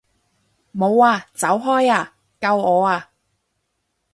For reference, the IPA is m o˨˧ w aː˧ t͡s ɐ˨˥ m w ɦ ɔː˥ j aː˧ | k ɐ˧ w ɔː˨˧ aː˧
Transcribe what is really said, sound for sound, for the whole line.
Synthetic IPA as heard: m o˨˧ w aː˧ t͡s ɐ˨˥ w ɦ ɔː˥ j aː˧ | k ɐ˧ w ɔː˨˧ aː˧